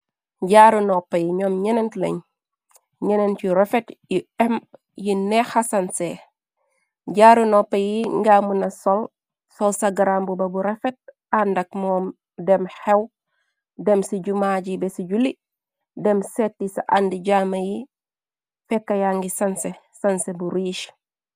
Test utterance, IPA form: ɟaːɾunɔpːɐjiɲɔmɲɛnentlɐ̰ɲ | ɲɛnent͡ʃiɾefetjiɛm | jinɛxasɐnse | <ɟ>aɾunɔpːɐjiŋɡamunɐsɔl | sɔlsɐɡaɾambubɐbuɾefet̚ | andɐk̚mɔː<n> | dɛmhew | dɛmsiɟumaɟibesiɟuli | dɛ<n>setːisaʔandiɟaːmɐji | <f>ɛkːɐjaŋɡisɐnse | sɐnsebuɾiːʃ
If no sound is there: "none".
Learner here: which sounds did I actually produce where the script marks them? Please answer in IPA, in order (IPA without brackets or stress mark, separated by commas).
ɟ, m, m, f